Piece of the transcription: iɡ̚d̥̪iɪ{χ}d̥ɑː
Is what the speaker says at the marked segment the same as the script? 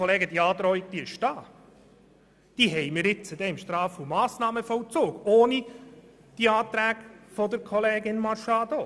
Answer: no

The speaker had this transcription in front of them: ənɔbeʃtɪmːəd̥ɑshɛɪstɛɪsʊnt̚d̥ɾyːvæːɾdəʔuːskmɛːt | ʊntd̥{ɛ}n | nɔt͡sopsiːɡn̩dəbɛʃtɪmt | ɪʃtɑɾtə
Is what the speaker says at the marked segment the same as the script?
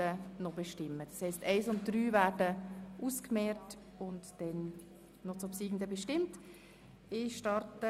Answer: yes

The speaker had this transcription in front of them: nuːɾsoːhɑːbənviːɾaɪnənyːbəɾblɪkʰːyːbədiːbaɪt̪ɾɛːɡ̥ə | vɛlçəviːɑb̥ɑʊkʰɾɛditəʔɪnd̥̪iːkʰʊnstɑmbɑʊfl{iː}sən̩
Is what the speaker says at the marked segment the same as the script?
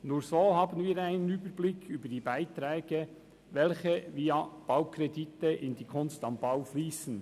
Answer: yes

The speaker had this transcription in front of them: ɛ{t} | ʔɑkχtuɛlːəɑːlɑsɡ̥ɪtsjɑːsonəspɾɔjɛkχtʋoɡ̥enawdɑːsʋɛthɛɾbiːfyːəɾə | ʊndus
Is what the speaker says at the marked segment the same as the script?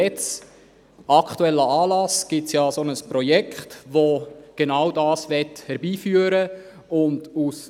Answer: no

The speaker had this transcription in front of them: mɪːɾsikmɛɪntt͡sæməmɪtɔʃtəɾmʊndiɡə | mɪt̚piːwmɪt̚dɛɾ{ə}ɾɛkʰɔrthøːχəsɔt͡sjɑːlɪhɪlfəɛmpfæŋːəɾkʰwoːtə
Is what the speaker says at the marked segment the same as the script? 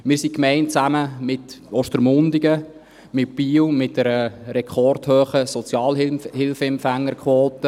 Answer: yes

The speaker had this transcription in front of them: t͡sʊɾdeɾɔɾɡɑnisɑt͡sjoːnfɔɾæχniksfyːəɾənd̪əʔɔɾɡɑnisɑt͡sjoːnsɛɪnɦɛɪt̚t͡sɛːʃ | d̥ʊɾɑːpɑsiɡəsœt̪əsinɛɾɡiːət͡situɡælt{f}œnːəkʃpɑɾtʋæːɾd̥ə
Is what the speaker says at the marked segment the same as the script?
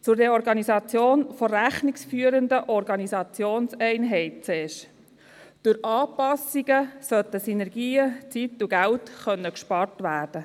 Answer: no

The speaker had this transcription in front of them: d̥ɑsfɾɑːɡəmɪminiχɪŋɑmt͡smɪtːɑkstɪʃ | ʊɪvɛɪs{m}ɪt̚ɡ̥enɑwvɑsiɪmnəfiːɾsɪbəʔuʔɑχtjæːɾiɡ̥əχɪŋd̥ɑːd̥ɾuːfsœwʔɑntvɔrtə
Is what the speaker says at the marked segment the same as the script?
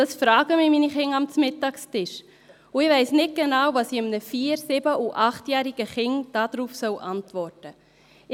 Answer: no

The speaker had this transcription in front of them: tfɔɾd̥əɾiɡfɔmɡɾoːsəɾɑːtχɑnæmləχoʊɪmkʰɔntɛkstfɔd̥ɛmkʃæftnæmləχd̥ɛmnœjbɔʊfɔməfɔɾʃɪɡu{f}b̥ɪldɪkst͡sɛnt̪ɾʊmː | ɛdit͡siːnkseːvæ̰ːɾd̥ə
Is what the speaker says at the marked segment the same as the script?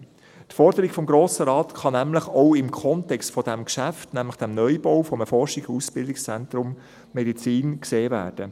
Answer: no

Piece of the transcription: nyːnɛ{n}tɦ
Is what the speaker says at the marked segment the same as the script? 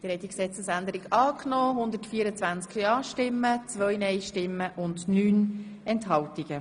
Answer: yes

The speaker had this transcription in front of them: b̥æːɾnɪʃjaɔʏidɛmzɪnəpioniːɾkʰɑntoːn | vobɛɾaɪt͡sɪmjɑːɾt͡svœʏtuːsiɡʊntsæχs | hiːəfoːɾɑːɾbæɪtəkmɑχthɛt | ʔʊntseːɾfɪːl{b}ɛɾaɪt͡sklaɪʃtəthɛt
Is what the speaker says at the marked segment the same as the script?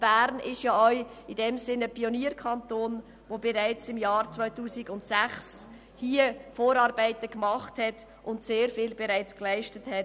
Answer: yes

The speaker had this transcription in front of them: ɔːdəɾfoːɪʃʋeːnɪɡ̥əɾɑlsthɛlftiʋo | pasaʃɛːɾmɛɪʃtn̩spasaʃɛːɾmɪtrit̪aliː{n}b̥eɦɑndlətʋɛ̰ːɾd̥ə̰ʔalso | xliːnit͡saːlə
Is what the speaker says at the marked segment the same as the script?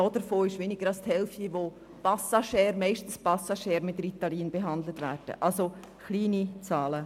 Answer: yes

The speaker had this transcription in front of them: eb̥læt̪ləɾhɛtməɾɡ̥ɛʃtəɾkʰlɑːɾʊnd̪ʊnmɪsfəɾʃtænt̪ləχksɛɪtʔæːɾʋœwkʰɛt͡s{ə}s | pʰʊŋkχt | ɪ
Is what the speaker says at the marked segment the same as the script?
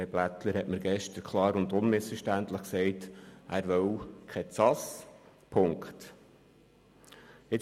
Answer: no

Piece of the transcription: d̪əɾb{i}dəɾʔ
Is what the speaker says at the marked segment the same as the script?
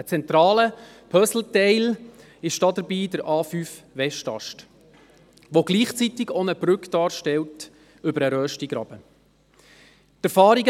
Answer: no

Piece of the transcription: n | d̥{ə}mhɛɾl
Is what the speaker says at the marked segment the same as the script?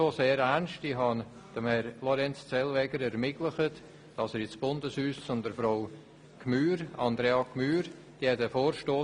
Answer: yes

